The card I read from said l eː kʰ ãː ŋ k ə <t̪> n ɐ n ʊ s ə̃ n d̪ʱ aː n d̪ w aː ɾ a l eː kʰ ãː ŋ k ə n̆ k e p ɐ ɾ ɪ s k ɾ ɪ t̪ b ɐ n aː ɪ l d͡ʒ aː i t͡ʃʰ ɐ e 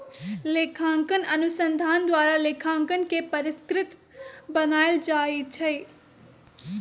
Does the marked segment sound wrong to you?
yes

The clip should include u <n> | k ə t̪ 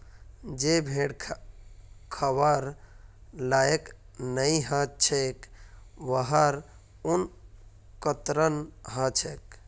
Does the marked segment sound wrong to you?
no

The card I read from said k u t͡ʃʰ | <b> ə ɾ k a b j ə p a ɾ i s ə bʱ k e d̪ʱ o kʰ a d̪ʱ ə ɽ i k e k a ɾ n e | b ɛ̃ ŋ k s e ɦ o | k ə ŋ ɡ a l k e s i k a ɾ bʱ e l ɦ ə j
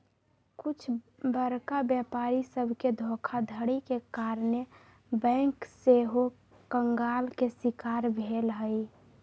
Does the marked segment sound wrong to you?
no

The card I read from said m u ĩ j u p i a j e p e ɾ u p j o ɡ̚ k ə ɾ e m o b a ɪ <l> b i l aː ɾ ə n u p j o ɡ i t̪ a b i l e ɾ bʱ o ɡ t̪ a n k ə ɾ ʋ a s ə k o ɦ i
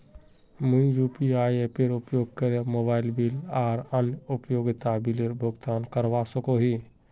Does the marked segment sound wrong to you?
no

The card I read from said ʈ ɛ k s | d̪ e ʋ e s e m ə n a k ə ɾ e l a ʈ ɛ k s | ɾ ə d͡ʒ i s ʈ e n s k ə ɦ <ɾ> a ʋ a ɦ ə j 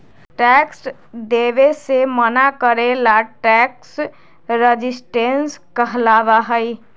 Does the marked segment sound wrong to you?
yes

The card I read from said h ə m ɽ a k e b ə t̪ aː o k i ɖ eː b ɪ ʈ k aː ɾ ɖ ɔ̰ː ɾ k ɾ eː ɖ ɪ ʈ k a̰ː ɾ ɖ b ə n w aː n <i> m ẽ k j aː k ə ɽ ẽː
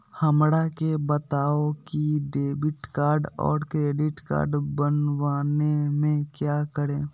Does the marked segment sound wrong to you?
yes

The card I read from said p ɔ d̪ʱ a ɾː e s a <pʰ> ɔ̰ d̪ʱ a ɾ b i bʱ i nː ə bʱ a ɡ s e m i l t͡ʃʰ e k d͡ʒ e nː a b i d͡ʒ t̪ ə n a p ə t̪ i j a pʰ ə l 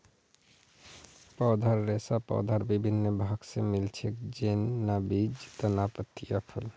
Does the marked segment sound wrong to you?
yes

